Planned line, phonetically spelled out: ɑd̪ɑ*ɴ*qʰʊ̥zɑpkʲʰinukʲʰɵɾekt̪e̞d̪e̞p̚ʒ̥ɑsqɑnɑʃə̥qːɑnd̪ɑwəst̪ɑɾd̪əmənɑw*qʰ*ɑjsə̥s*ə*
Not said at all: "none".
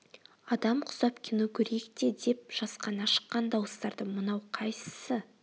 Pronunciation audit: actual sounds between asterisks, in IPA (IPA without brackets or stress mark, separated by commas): m, qʰ, ə